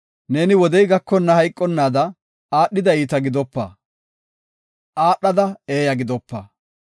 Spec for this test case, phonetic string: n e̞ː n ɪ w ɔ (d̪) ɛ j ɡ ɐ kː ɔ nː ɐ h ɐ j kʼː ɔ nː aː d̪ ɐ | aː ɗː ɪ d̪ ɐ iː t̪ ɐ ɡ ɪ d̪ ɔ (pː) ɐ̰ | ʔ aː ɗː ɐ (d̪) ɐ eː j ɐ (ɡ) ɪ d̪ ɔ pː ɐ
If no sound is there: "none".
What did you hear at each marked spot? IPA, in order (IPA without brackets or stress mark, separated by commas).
d̪, pː, d̪, ɡ